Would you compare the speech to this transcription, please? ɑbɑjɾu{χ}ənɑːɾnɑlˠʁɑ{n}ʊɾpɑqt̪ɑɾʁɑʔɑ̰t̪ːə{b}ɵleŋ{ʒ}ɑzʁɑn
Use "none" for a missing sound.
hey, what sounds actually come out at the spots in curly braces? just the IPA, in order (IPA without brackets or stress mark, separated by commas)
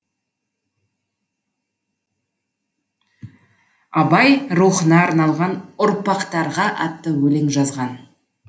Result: χ, n, w, ʒ